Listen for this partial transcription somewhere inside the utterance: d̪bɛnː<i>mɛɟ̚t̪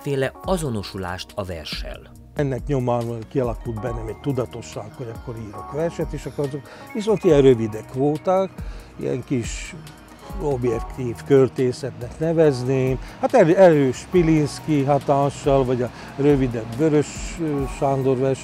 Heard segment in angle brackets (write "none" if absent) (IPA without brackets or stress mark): ɛ